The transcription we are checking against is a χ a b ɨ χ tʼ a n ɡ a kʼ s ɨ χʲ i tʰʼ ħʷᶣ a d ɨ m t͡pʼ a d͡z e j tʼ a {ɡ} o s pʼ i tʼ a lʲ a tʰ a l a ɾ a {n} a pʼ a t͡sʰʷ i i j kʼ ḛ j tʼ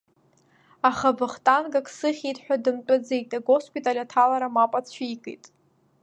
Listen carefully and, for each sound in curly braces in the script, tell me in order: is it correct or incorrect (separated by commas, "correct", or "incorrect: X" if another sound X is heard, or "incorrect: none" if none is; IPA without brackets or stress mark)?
correct, incorrect: m